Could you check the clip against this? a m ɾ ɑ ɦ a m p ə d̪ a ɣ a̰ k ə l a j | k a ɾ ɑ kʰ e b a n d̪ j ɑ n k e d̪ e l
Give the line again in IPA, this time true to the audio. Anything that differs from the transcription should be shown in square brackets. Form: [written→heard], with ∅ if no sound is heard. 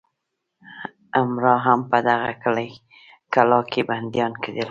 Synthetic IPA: a m ɾ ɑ ɦ a m p ə d̪ a ɣ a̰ k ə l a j | k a [ɾ→l] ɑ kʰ e b a n d̪ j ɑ n k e d̪ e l